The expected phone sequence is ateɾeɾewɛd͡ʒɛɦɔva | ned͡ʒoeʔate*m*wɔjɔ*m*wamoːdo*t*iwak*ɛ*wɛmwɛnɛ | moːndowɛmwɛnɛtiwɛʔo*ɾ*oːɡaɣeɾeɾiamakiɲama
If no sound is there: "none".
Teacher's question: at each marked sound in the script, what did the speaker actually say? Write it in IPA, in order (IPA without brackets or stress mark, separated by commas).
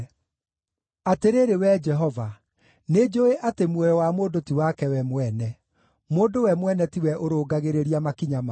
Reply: m, none, t, ɛ, ɾ